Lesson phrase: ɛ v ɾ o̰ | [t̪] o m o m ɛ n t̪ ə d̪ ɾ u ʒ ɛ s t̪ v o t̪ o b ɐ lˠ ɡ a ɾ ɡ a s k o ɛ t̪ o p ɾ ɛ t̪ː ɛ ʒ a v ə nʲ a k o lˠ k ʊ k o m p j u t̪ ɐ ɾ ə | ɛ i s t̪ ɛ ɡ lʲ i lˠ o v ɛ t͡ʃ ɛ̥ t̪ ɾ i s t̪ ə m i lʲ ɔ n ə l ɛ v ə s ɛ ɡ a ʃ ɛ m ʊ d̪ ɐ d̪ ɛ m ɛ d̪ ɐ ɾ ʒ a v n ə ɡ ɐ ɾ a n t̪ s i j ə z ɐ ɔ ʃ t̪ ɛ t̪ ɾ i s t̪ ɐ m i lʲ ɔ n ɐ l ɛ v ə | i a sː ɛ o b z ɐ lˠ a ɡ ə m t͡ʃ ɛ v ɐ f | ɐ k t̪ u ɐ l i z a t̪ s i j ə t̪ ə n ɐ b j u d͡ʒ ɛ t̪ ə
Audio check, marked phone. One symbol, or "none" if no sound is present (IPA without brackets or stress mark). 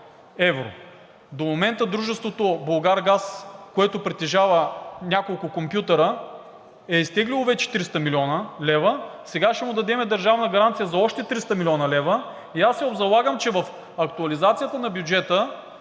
d̪